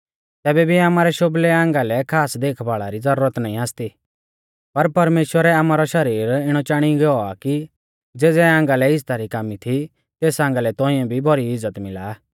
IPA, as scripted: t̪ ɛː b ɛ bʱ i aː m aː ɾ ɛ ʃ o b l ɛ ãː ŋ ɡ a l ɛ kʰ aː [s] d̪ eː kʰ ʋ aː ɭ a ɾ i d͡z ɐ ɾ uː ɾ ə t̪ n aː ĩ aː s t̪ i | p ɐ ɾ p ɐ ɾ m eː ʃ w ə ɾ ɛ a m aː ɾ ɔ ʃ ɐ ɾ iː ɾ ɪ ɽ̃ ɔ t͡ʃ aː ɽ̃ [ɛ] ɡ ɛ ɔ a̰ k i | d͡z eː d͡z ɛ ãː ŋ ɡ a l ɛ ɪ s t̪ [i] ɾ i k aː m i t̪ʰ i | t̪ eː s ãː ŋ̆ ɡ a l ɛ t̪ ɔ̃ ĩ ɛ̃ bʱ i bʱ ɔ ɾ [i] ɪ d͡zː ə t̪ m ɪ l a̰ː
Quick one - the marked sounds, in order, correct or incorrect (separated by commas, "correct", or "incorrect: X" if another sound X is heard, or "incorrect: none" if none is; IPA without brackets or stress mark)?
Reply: correct, incorrect: i, incorrect: a, correct